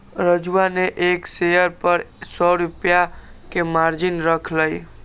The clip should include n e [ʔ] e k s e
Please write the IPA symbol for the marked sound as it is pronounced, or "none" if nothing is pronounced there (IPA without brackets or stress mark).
ʔ